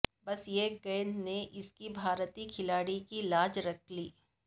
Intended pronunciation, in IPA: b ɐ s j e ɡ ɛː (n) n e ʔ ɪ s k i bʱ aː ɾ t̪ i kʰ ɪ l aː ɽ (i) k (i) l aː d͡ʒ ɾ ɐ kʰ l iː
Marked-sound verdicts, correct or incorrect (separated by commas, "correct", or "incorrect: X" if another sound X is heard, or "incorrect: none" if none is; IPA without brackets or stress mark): correct, correct, correct